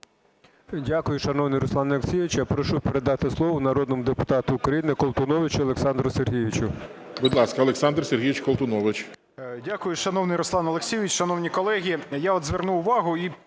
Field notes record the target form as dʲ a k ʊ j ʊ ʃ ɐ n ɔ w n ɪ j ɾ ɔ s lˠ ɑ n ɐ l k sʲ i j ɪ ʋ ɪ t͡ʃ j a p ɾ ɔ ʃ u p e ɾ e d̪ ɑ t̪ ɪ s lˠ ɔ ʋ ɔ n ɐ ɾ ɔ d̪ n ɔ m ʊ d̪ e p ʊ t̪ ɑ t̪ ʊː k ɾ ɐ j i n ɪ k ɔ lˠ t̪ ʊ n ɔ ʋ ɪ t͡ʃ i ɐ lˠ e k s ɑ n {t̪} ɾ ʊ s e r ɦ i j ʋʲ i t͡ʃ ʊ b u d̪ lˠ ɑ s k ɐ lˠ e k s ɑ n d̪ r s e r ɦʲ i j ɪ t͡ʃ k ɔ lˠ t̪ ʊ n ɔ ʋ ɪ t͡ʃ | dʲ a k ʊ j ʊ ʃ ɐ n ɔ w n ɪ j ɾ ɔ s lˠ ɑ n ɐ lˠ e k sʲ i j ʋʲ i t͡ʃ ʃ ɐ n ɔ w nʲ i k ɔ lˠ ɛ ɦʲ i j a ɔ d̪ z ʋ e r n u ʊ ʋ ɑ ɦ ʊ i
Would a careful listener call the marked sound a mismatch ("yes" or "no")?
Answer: yes